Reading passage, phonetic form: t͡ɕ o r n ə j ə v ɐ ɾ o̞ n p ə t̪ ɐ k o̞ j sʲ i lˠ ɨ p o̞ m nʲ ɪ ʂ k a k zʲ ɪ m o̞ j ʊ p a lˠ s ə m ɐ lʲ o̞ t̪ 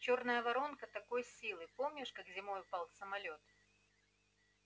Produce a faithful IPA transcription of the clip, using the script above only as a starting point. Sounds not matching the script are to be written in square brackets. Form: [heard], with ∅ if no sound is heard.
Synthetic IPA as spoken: t͡ɕ o r n ə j ə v ɐ ɾ o̞ n [k] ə t̪ ɐ k o̞ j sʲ i lˠ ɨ p o̞ m nʲ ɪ ʂ k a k zʲ ɪ m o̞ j ʊ p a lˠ s ə m ɐ lʲ o̞ t̪